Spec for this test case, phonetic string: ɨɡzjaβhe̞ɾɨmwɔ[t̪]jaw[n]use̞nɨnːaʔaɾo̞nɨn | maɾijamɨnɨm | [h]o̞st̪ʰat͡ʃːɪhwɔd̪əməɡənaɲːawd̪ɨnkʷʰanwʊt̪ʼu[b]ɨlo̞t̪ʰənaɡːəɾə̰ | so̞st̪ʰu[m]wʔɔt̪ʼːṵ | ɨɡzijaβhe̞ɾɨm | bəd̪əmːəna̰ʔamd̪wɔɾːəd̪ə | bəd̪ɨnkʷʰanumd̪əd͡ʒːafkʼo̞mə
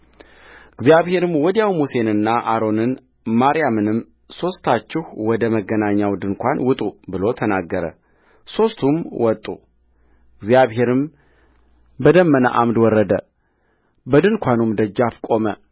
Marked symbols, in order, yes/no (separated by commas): no, no, no, yes, yes